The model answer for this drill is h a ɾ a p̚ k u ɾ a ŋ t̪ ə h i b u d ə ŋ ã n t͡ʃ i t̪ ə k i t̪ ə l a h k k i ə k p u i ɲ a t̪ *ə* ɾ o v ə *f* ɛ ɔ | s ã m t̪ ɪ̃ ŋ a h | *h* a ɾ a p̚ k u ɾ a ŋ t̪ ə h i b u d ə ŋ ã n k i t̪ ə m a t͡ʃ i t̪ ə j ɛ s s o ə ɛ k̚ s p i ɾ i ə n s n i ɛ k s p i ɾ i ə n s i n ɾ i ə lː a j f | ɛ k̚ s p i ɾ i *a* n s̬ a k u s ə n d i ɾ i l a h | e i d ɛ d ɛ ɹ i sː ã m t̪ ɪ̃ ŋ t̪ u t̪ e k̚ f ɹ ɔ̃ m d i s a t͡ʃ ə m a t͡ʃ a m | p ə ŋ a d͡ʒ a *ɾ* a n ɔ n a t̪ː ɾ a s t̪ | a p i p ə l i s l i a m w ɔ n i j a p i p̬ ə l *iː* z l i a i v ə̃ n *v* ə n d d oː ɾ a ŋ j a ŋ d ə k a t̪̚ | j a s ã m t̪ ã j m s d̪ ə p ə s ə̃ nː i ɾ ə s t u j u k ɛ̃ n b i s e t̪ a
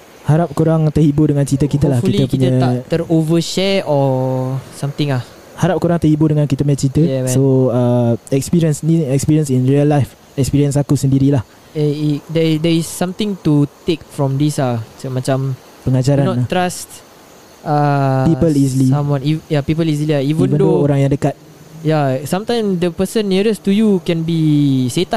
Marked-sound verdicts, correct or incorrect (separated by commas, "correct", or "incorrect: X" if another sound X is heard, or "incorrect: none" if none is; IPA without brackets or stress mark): correct, incorrect: ʃ, correct, incorrect: ə, correct, incorrect: i, correct